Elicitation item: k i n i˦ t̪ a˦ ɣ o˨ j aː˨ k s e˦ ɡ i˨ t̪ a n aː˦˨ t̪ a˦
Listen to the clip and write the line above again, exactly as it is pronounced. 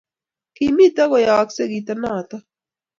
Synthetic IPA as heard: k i m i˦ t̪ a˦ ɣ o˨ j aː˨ k s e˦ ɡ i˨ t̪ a n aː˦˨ t̪ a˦